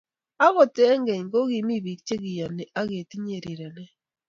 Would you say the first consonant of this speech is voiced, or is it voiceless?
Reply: voiced